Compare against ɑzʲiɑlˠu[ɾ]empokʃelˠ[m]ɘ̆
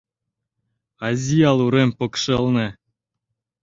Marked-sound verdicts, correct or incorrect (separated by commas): correct, incorrect